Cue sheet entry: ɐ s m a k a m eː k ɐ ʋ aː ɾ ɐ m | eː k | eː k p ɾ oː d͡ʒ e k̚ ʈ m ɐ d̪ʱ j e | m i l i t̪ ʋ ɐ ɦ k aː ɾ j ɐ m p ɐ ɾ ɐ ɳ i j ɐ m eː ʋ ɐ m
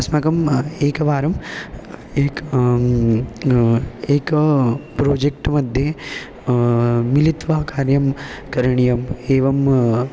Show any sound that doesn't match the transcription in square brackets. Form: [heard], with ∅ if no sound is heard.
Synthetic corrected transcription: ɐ s m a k [ɐ] m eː k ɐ ʋ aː ɾ ɐ m | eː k | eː k p ɾ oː d͡ʒ e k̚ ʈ m ɐ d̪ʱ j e | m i l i t̪ ʋ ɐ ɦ k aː ɾ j ɐ m [k] ɐ ɾ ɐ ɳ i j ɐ m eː ʋ ɐ m